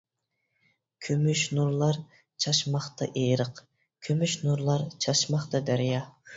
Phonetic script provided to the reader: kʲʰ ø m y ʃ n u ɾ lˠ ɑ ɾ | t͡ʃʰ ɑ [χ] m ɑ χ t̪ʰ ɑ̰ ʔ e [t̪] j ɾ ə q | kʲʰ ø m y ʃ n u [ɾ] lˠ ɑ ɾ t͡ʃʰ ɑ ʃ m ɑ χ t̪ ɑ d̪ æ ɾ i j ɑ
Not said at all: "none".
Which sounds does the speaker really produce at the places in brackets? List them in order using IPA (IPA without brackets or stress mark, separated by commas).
ʃ, none, ɾ